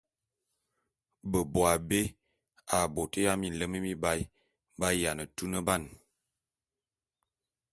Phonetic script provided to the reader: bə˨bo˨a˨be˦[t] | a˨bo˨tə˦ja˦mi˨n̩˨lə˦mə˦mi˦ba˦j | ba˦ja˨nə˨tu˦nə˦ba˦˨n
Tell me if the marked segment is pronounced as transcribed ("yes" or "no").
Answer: no